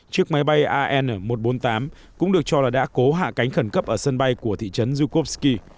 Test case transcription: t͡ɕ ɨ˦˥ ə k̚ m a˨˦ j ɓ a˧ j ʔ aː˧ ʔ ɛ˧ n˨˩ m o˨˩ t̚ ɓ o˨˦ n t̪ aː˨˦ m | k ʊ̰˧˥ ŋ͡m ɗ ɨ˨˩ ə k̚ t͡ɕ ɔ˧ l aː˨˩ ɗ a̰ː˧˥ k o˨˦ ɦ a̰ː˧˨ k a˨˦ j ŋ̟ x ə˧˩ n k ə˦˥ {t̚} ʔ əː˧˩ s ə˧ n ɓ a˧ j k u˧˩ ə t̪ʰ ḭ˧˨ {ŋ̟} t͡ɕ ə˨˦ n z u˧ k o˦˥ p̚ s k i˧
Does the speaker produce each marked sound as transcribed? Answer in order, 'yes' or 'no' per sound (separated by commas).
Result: no, no